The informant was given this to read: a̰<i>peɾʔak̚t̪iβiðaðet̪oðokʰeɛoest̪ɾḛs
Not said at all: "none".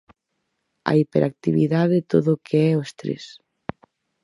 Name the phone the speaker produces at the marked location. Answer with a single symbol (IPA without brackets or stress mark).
i